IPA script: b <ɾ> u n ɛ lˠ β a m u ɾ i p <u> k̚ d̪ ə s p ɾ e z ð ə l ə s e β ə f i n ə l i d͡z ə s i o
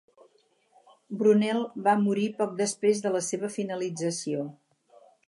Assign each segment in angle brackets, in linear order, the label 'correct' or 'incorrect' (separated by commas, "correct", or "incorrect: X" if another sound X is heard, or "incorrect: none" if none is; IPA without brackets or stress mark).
correct, incorrect: ɔ